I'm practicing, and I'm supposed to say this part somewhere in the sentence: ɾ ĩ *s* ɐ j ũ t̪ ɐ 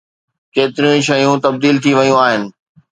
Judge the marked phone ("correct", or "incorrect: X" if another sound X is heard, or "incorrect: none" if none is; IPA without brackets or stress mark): incorrect: ʃ